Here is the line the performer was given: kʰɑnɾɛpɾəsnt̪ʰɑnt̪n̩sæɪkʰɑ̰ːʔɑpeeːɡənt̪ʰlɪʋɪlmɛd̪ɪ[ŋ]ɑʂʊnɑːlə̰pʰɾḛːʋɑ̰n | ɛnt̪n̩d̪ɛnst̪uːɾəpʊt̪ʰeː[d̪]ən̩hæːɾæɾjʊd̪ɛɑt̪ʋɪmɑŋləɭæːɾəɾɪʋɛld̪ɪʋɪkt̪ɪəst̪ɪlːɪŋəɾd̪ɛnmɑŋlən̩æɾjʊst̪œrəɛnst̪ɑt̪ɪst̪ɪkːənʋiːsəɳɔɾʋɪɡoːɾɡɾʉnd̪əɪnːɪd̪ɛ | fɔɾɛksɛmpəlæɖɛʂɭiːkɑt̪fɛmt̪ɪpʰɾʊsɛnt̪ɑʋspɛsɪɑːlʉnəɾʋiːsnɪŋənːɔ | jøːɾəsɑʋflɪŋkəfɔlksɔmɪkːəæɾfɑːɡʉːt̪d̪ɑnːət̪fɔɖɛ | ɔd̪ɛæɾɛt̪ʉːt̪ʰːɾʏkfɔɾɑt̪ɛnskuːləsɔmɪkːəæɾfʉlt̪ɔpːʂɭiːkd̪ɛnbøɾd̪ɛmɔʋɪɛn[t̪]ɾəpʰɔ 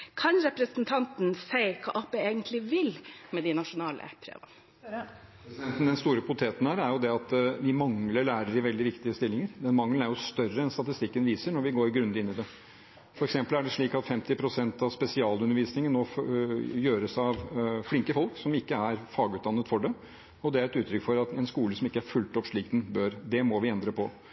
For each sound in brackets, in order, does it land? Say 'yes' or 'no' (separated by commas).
no, no, no